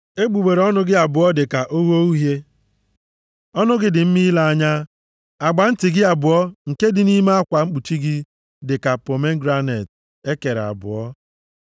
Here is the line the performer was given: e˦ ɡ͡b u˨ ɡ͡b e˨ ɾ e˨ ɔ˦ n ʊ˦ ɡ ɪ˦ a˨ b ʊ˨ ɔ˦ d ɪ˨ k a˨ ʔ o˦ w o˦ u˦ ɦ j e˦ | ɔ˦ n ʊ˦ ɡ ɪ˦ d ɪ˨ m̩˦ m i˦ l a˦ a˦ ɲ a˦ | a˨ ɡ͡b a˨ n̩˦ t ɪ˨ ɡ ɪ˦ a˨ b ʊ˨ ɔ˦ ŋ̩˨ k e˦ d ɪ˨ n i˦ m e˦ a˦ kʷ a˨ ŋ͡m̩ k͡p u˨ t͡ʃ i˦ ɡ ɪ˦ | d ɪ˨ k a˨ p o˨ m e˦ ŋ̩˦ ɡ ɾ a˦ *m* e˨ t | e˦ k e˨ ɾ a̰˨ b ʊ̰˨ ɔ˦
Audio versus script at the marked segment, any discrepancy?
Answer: yes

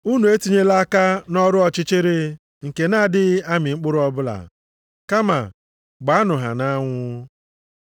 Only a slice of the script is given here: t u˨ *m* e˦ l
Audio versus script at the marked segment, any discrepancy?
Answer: yes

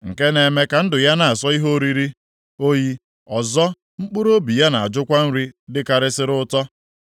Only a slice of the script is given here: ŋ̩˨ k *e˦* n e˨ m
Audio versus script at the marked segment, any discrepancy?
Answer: no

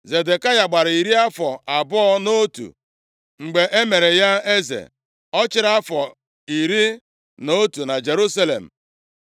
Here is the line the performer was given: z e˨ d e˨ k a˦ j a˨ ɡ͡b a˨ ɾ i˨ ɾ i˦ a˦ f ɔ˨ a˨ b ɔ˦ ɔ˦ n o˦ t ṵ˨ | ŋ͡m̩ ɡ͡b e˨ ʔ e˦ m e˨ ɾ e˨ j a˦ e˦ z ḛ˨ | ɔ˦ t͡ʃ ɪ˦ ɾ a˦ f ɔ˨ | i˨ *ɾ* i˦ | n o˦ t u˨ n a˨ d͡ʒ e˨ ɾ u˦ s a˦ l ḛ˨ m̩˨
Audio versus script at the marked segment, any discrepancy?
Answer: no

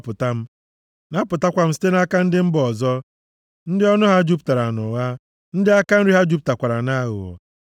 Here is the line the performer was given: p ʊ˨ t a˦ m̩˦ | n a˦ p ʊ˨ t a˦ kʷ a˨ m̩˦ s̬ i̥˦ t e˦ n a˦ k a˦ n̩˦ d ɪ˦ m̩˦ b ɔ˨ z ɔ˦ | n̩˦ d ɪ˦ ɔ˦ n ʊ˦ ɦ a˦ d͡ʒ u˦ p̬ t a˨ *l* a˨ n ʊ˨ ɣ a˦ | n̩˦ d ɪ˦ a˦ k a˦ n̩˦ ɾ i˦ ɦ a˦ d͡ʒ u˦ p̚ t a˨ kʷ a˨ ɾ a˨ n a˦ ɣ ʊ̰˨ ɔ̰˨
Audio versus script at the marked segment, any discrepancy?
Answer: yes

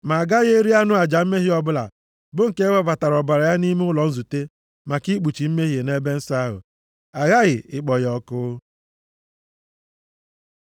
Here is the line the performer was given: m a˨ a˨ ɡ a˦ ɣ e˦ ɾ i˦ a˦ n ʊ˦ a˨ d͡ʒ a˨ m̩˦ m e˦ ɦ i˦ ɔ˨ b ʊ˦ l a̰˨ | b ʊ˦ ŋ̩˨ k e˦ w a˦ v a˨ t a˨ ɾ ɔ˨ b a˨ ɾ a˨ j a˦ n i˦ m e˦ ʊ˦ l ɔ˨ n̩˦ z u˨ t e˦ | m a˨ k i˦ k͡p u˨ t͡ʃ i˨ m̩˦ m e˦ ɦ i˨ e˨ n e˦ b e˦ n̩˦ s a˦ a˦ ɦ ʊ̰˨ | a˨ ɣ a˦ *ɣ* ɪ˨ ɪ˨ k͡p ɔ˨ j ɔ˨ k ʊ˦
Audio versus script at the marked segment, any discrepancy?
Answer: no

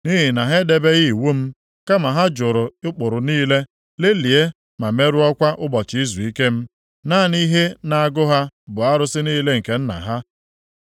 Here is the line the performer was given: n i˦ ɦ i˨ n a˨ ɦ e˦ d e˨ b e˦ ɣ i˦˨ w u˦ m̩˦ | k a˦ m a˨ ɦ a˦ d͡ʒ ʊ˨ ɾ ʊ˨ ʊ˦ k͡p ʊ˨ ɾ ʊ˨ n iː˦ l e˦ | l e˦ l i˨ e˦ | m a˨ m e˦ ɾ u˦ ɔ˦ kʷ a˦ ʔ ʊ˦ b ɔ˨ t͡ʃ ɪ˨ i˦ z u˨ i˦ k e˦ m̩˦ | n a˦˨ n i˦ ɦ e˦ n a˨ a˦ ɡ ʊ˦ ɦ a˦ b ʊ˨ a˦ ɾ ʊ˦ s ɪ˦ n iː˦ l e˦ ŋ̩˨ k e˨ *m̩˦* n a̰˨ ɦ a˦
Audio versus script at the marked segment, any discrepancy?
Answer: yes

